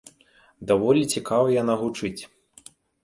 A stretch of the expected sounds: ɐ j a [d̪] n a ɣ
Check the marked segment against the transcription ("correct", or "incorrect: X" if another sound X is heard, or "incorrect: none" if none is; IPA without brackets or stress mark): incorrect: none